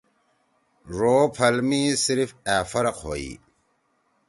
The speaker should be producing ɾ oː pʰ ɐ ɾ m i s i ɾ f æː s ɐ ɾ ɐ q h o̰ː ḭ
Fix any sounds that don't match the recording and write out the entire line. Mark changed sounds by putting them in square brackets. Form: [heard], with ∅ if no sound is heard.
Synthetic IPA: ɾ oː pʰ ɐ [l] m i s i ɾ f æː [f] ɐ ɾ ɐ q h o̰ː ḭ